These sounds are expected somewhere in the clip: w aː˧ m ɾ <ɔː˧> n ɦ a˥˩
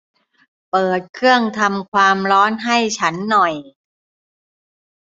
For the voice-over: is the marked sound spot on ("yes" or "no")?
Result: no